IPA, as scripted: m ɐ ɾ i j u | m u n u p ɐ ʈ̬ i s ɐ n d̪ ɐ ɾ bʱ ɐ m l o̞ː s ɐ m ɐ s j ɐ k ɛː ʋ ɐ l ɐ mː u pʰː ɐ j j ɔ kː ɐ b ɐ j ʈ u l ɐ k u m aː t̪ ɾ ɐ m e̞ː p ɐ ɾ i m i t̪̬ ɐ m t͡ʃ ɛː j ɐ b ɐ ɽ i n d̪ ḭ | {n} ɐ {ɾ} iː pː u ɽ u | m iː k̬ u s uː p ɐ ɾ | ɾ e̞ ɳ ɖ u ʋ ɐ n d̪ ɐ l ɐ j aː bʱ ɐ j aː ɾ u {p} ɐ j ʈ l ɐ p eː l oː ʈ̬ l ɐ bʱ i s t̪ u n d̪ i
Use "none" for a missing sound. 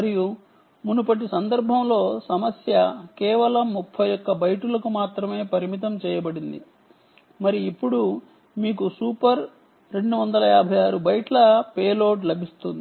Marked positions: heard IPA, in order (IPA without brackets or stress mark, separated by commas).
m, ɾ, b